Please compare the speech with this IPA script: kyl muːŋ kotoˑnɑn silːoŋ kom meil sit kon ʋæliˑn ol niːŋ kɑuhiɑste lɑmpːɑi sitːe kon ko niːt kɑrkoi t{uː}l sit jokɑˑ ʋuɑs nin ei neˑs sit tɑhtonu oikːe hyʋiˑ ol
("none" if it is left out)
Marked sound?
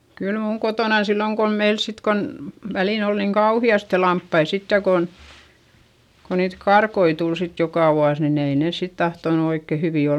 u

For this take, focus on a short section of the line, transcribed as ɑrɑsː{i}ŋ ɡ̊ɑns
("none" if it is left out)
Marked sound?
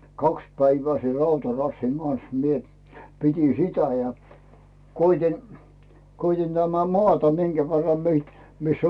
i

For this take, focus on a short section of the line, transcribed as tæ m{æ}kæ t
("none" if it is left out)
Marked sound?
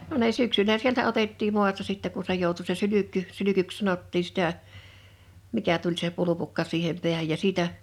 i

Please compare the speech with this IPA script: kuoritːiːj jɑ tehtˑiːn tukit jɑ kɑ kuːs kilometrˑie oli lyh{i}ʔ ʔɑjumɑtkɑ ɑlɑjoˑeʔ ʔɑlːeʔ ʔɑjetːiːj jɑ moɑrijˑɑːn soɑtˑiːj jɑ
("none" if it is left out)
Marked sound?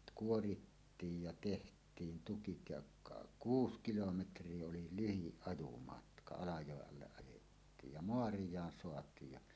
i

